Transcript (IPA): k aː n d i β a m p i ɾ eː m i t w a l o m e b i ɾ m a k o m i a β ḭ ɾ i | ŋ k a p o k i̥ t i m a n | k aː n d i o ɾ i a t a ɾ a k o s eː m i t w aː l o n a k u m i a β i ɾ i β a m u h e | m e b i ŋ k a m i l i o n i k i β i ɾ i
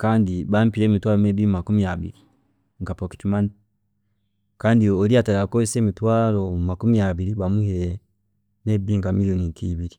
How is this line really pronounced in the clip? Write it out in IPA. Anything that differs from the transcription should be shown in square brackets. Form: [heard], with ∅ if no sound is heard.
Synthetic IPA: k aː n d i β a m p i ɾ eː m i t w a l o m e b i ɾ m a k [u] m i a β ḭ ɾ i | ŋ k a p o k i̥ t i m a n | k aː n d i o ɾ i a t a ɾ a k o s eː m i t w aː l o [m] a k u m i a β i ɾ i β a m u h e | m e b i ŋ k a m i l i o n i k i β i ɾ i

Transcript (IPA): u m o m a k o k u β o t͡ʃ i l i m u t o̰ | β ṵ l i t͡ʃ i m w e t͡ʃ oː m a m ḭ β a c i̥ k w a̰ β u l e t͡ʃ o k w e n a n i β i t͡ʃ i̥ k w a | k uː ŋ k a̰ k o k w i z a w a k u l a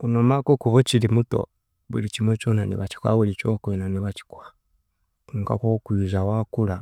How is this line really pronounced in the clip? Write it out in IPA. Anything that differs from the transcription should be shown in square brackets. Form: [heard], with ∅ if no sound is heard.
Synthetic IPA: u [n] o m a k o k u β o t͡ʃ i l i m u t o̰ | β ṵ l i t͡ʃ i m w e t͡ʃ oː [n] a [n] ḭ β a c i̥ k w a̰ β u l [i] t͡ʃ o k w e n a n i β [a] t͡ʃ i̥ k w a | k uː ŋ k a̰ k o k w i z a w a k u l a

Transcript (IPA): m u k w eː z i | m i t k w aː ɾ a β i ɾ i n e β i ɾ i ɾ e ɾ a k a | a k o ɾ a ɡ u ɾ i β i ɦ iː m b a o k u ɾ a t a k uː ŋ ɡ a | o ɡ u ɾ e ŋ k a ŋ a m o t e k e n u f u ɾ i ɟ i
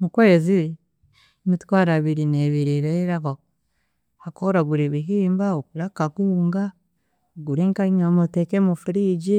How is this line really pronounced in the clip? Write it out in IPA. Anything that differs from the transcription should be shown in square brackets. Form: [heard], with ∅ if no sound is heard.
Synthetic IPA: m u k w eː z i | m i t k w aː ɾ a β i ɾ i n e β i ɾ i ɾ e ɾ a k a | a k o ɾ a ɡ u ɾ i β i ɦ iː m b a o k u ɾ a [k] a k uː ŋ ɡ a | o ɡ u ɾ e ŋ k a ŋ a m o t e k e [m] u f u ɾ i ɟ i

